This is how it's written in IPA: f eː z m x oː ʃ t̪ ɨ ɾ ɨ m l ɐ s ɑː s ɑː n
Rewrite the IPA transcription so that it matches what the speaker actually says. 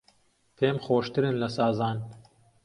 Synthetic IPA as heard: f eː m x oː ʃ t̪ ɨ ɾ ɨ n l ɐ s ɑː z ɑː n